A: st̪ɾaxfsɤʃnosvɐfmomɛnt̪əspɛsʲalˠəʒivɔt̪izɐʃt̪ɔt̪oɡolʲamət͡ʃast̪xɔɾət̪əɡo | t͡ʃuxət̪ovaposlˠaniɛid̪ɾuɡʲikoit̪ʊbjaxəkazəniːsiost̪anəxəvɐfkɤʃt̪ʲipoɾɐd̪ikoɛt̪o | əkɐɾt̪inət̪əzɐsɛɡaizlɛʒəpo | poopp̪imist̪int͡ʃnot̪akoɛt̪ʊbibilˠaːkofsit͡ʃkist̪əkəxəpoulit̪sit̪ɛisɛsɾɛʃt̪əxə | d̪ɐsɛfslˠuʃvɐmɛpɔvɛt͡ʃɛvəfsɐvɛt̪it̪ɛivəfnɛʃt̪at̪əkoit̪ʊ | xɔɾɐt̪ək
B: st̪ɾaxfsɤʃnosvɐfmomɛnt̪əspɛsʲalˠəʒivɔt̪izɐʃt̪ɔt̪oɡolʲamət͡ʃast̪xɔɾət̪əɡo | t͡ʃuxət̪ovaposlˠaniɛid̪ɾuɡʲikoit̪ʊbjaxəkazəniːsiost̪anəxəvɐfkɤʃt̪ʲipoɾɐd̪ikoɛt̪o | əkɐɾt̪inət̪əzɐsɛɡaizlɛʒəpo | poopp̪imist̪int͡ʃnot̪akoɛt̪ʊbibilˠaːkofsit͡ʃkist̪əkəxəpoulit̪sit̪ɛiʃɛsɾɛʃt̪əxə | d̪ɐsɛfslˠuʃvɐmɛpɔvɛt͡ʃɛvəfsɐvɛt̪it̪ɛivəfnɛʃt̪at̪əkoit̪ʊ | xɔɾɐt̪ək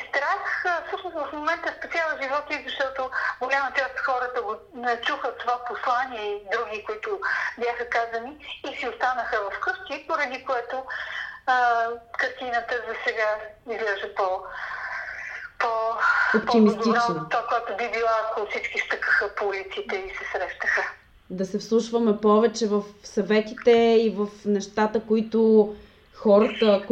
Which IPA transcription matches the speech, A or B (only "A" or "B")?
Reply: A